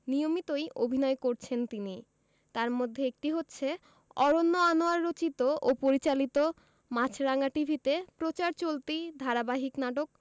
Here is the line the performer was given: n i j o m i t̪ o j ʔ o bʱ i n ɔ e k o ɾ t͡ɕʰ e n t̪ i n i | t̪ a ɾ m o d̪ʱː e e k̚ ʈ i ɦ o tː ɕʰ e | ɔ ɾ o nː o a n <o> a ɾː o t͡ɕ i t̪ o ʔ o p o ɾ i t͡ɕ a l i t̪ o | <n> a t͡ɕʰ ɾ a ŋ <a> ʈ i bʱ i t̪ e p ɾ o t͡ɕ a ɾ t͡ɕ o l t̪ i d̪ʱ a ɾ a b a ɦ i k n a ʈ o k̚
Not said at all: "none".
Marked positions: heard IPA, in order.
o, m, a

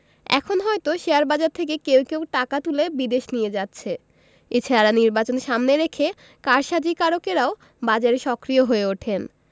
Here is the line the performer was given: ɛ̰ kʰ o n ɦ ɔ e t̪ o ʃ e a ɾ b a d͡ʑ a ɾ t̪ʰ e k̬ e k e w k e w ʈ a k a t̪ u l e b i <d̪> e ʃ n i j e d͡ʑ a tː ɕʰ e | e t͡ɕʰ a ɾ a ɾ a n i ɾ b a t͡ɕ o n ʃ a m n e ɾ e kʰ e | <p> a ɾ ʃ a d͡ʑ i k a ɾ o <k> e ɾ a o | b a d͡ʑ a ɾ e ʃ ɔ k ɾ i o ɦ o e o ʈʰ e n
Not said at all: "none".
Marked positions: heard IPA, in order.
d̪, k, k

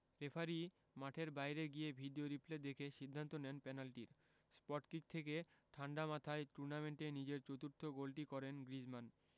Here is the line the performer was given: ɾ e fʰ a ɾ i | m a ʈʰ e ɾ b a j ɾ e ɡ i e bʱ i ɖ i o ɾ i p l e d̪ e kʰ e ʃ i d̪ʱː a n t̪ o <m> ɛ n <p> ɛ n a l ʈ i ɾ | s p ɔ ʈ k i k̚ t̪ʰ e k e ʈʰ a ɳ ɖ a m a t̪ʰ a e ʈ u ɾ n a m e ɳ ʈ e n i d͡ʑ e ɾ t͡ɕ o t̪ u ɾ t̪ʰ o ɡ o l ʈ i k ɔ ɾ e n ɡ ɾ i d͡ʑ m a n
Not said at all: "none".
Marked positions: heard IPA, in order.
n, p

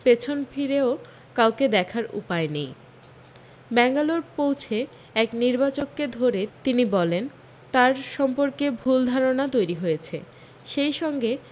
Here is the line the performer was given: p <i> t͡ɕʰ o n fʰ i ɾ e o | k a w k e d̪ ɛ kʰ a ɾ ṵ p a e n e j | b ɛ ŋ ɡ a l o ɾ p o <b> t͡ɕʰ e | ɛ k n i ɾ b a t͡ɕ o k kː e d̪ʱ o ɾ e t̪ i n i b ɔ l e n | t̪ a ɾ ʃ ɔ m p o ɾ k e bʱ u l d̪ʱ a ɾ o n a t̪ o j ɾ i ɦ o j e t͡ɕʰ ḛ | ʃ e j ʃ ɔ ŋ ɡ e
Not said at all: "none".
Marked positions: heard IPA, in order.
e, w

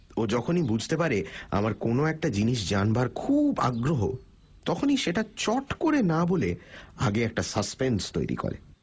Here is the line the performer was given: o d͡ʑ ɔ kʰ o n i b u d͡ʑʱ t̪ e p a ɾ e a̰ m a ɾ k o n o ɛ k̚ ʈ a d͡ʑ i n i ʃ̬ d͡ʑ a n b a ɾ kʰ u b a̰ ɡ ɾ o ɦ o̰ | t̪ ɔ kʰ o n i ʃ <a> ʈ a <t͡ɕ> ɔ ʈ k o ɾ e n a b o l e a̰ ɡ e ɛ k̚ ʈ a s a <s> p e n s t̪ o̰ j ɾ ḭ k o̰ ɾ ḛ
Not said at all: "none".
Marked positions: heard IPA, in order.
e, t͡ɕ, s

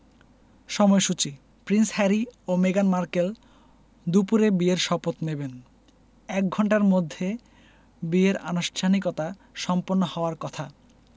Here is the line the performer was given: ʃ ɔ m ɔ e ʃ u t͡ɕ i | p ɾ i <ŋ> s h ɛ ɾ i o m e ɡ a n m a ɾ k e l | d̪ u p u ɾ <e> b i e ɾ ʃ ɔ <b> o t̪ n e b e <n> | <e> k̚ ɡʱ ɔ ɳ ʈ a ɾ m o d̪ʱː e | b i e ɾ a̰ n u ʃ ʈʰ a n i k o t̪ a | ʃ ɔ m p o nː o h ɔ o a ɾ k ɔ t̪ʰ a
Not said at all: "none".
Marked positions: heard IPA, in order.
n, e, p, n, ɛ

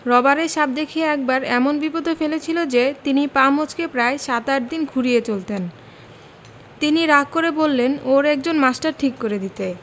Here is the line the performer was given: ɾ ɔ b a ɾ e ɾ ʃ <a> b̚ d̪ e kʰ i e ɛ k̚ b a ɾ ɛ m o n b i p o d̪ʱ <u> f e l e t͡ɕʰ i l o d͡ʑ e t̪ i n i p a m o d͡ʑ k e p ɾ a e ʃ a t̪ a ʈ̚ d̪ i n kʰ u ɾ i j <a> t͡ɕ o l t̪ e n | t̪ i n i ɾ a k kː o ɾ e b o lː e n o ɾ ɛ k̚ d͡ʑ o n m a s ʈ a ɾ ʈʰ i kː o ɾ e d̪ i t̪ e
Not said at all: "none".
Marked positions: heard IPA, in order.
a, o, e

